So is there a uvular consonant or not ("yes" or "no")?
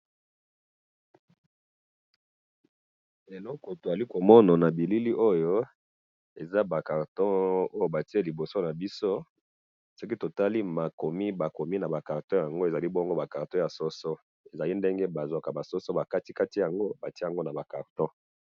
yes